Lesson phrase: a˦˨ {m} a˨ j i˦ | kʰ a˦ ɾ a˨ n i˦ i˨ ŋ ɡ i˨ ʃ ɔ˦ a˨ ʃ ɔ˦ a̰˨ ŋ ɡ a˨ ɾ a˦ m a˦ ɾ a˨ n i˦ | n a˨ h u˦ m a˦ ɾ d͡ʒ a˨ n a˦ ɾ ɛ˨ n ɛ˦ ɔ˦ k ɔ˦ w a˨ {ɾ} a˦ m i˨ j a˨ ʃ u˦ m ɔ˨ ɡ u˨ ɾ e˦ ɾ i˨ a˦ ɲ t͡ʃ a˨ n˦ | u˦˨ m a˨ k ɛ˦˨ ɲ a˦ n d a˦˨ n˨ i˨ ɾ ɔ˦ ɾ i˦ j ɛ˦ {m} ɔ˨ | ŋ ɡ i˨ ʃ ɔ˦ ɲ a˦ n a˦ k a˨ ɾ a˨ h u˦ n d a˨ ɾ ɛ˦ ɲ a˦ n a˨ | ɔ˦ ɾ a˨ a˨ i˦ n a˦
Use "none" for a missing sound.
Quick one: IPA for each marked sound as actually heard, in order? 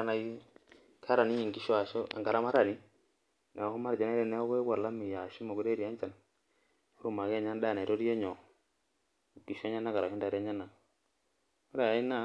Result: n, l, ɲ

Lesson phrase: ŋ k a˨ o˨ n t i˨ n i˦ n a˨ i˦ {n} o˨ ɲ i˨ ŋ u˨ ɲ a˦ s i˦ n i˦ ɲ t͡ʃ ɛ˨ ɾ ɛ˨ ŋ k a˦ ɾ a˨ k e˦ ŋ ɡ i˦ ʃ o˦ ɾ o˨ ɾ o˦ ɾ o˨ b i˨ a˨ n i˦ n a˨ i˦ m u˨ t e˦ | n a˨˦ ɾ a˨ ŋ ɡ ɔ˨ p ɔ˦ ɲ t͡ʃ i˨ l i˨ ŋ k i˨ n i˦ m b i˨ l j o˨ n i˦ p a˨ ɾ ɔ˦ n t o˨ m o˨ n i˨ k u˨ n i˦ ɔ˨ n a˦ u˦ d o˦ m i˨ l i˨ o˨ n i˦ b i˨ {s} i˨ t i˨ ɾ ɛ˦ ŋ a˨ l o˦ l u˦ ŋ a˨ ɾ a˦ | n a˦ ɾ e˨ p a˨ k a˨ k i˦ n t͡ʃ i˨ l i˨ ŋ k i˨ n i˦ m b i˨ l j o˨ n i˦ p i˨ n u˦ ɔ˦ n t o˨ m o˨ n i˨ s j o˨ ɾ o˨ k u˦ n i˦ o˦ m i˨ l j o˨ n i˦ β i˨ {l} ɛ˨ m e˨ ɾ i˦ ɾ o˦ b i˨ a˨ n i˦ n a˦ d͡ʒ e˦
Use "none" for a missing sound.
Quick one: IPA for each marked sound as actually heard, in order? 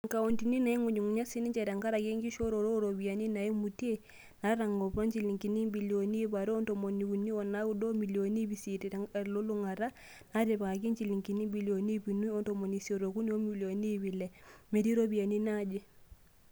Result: ŋ, s, l

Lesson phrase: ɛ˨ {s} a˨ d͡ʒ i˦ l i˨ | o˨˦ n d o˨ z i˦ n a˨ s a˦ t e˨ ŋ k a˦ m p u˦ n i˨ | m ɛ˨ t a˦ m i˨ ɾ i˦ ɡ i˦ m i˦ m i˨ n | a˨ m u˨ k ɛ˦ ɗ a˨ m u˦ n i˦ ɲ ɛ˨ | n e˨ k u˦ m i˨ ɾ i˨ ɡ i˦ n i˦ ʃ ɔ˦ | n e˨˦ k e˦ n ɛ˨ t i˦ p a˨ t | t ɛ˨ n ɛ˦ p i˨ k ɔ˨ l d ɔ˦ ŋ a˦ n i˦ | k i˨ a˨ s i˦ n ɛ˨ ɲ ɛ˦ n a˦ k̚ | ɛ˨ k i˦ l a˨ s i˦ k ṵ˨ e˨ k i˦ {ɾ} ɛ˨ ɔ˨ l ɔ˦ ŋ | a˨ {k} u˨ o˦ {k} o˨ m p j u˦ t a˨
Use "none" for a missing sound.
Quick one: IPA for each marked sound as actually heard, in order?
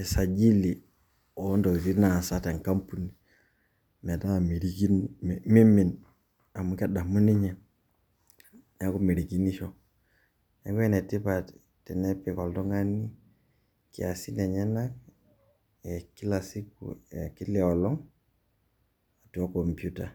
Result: s, l, t, k

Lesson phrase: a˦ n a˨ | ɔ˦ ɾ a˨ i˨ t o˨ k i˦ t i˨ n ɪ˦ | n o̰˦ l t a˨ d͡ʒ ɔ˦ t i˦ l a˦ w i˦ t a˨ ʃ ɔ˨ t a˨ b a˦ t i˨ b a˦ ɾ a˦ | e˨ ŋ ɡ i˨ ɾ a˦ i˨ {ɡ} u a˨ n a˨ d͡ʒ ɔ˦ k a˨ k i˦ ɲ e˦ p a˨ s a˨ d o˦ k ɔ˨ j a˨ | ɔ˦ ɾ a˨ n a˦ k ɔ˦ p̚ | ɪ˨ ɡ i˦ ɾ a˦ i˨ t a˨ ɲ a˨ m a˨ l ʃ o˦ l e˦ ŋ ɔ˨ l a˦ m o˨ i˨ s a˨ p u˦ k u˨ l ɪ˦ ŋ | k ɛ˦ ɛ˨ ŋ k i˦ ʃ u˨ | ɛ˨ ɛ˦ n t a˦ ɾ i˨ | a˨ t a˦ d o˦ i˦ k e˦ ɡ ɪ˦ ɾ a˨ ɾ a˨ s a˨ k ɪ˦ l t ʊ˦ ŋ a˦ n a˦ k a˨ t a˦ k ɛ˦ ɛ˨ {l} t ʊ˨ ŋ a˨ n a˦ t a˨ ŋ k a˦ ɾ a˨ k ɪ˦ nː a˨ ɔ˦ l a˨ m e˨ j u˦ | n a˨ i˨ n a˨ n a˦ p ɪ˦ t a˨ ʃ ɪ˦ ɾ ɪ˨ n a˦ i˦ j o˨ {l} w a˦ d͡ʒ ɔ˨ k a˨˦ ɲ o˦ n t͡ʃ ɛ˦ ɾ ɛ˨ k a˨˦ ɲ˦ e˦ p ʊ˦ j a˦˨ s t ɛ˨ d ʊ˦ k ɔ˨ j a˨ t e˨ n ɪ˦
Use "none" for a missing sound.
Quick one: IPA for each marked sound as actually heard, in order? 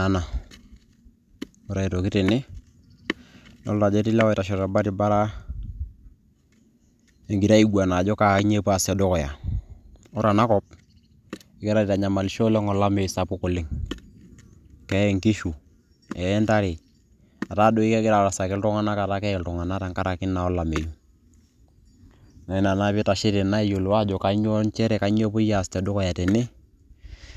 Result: ɡ, l, l

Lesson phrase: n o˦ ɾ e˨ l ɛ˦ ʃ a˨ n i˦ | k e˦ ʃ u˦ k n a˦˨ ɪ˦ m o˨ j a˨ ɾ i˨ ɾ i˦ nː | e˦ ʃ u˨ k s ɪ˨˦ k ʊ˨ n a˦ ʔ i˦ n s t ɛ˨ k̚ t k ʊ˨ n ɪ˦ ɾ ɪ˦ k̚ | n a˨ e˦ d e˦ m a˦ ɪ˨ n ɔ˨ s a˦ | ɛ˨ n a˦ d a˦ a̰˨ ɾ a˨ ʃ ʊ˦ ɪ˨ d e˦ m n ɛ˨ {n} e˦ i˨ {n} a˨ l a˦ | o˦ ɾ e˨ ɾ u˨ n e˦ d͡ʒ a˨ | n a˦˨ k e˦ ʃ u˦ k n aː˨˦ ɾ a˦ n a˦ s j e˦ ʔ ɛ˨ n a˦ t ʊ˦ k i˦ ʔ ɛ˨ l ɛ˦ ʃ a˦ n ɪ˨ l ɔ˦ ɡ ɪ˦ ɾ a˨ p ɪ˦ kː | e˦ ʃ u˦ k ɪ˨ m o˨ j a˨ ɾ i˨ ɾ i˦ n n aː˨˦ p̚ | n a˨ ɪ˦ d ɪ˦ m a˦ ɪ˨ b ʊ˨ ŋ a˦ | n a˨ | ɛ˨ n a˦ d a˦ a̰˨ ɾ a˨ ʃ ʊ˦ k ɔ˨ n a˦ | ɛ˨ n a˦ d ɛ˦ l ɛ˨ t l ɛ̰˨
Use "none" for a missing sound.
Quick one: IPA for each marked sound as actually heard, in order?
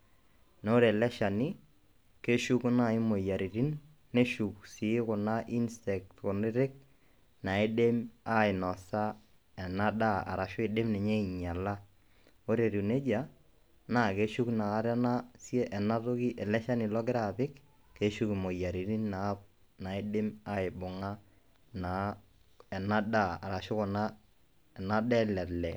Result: ɲ, ɲ

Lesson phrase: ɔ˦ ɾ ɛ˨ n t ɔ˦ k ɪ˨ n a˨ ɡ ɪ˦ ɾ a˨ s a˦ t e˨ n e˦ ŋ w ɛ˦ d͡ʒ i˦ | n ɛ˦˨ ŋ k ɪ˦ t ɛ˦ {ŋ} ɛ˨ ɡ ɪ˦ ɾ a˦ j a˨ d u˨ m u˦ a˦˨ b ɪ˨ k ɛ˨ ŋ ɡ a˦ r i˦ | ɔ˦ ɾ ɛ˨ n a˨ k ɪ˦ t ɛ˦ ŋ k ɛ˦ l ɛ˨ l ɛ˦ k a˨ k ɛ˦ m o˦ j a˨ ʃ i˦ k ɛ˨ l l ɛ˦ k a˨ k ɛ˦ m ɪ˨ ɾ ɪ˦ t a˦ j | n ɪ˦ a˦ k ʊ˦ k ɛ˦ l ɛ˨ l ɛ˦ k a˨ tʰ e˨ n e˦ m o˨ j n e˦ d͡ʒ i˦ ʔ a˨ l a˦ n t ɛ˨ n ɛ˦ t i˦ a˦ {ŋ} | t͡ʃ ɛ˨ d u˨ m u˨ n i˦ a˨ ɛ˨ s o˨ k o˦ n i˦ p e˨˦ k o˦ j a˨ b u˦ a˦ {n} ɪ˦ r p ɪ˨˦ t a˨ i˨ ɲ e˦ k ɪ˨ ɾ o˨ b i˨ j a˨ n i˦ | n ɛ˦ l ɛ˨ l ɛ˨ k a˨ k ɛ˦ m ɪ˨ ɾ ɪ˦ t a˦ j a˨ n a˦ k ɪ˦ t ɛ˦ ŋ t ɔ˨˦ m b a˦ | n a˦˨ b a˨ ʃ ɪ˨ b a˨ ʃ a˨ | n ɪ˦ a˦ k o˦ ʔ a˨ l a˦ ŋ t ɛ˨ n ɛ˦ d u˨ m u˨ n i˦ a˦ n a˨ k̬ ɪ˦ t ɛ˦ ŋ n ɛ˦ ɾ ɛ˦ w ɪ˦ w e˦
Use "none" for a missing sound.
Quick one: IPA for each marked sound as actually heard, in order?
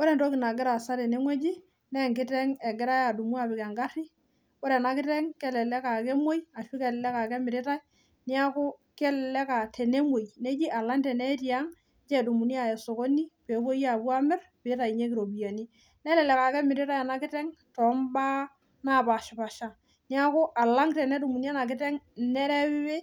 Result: ŋ, ŋ, m

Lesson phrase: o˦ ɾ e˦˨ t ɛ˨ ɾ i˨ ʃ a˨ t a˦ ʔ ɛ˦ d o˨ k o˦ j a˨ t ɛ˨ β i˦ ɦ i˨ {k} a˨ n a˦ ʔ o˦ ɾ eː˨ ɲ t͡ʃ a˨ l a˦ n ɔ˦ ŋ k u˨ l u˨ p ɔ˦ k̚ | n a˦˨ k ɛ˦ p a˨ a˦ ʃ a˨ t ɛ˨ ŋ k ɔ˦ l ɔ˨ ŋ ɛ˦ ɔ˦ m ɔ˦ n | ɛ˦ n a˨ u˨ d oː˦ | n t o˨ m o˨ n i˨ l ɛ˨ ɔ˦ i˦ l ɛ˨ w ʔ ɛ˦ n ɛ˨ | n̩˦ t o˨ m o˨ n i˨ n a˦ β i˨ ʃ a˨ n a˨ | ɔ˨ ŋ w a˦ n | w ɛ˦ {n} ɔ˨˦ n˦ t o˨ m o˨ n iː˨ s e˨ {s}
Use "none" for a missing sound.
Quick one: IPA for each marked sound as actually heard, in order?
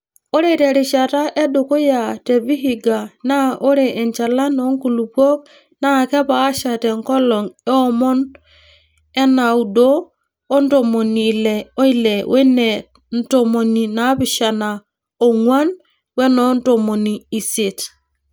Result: ɡ, n, t

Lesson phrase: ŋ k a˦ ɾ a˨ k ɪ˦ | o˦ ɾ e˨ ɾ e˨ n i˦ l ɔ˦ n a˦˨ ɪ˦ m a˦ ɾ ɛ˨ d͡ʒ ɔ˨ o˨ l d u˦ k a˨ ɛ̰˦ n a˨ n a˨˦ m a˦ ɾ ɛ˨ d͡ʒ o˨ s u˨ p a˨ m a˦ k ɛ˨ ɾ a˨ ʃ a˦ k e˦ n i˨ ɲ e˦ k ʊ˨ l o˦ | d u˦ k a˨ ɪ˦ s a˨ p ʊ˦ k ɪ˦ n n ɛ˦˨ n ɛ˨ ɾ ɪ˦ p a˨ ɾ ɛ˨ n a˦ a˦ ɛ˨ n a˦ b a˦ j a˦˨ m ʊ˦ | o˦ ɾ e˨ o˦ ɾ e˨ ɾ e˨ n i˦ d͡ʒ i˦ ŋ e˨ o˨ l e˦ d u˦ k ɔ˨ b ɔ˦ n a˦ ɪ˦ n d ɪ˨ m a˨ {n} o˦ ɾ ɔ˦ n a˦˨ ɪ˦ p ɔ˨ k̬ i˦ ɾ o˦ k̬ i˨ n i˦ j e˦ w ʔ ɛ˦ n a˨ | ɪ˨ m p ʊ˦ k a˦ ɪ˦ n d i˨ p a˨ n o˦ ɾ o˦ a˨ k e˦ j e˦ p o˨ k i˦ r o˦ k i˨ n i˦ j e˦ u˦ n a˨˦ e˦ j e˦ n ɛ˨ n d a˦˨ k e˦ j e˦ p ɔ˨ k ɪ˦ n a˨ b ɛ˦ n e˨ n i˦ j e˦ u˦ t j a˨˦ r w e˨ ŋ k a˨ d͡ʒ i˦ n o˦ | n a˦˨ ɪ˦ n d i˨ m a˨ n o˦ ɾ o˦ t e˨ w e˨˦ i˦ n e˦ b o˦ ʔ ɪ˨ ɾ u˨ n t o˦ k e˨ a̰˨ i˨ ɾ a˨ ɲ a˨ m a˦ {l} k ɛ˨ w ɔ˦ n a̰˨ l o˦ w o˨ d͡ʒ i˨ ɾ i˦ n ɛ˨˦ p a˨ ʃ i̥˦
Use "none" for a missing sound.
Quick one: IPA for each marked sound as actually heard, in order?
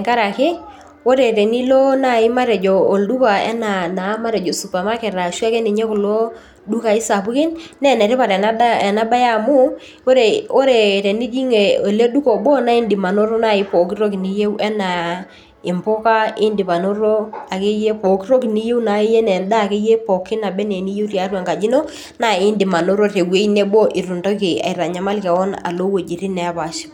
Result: n, l

